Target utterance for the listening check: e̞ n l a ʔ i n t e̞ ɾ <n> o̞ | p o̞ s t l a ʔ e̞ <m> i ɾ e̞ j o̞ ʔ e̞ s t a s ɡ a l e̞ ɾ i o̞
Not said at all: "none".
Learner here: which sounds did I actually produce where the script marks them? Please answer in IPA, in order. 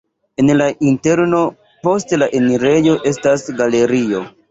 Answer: n, n

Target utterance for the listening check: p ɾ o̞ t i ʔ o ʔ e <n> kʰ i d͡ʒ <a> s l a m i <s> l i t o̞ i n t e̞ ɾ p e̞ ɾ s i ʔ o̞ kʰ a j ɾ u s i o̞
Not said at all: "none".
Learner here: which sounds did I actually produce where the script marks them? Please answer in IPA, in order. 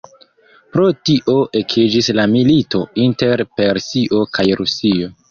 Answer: none, i, none

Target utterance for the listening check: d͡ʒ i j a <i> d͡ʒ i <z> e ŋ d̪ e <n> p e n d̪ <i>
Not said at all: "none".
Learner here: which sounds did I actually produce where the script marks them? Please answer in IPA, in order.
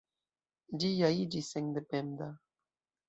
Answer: i, s, none, a

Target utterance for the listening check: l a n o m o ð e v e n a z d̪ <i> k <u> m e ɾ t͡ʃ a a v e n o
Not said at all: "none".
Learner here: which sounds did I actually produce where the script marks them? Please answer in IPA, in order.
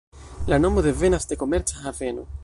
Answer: e, o

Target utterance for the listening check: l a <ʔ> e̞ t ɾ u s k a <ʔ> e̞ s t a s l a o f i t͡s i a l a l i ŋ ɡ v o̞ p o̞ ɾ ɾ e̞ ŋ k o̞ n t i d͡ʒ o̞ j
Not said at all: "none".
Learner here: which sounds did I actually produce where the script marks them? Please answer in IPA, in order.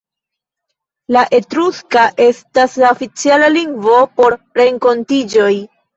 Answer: ʔ, ʔ

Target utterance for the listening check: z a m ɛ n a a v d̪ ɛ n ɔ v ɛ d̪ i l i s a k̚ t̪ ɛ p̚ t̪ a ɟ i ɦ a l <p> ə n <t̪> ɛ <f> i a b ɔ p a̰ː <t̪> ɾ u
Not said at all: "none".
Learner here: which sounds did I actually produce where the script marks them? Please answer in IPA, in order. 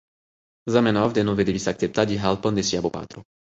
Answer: p, d̪, s, t̪

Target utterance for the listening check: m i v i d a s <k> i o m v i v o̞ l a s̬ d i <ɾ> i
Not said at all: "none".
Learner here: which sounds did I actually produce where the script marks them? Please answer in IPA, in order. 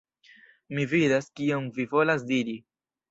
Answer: k, ɾ

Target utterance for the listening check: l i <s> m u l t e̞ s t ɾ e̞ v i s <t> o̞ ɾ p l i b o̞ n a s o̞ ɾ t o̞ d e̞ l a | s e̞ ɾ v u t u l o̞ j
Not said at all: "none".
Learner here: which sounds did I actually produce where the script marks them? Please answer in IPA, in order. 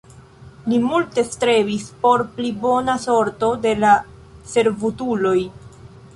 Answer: none, p

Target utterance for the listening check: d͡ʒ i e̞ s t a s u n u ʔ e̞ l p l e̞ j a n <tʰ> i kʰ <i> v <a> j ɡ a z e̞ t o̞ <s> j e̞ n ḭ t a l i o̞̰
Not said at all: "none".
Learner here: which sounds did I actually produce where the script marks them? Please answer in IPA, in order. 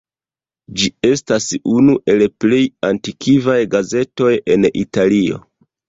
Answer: t, i, a, none

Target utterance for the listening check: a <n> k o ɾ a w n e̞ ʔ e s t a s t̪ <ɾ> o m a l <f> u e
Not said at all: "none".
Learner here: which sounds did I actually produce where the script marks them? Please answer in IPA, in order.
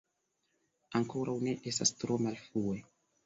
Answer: ŋ, ɾ, f

